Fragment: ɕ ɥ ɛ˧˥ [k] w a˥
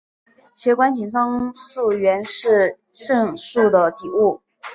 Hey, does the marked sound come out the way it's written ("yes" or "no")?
yes